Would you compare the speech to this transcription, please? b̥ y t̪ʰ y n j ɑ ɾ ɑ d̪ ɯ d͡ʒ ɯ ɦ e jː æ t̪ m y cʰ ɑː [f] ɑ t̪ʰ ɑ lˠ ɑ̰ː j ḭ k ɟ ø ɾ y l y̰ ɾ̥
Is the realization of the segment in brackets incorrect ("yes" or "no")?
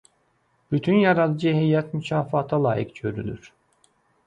no